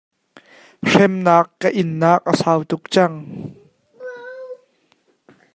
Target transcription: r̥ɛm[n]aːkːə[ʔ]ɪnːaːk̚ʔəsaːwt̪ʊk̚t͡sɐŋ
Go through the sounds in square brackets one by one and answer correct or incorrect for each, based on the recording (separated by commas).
correct, correct